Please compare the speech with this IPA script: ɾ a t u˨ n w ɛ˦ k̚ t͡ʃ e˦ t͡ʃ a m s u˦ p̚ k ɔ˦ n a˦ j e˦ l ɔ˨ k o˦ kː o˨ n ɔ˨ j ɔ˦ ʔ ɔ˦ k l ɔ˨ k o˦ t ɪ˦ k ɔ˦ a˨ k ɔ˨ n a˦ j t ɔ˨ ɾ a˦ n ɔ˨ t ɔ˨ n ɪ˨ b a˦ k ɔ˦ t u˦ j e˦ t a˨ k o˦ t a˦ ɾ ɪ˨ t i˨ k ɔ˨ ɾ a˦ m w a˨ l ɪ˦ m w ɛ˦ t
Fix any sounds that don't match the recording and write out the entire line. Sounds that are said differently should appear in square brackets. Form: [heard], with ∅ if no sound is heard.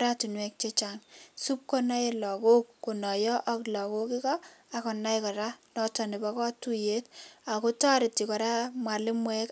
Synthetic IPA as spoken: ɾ a t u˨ n w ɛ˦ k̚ t͡ʃ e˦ t͡ʃ a [ŋ] s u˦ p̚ k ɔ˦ n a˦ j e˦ l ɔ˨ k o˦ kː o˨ n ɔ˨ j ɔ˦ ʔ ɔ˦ k l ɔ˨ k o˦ [k] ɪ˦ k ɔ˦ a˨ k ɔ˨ n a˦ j [k] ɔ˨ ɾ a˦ n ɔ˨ t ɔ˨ n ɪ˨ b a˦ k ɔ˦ t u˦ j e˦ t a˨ k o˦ t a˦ ɾ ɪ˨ t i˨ k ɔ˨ ɾ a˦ m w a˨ l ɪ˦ m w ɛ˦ [k]